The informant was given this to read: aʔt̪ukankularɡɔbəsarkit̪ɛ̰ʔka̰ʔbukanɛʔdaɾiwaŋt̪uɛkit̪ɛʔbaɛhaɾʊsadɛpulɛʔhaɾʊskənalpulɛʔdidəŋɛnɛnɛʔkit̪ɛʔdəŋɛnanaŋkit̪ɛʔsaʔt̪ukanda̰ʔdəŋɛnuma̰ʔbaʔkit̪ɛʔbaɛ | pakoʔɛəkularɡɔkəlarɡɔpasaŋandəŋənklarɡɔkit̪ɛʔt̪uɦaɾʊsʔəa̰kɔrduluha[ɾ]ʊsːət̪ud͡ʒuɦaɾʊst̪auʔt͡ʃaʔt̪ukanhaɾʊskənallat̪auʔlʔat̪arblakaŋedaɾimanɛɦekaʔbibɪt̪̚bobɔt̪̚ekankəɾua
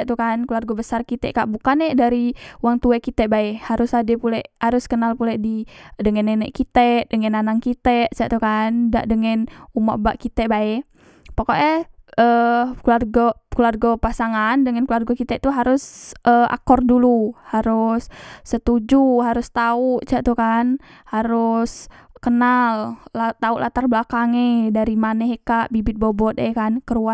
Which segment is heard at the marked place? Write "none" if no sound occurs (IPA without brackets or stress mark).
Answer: ɾ